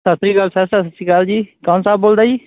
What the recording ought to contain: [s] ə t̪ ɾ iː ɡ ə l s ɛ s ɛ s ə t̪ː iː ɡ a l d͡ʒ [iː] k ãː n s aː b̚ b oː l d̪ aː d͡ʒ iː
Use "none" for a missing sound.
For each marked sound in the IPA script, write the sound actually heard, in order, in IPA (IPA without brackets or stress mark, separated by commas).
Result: s, iː